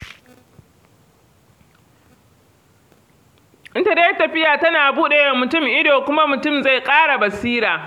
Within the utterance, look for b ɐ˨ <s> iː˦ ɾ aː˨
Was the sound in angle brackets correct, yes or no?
yes